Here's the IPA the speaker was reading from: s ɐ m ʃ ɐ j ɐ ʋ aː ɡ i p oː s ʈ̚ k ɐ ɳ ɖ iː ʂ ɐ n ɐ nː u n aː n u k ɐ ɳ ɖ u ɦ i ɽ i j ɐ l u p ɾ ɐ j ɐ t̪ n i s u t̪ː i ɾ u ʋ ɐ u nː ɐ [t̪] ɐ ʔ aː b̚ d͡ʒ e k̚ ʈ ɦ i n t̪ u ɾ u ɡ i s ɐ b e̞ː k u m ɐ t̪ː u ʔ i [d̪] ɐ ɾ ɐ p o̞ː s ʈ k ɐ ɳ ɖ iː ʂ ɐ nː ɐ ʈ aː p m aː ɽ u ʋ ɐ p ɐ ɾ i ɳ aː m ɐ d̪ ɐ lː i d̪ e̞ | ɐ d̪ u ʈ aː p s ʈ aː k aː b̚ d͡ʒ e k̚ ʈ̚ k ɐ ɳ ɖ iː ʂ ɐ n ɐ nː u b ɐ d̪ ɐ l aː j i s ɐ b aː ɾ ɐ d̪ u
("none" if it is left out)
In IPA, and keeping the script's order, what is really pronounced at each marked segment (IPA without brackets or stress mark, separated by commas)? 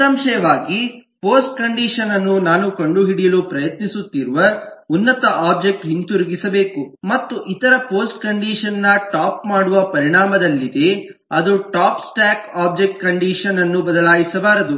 t̪, t̪